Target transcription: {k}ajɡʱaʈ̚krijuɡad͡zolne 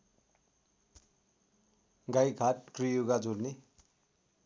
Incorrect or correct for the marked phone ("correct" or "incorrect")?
incorrect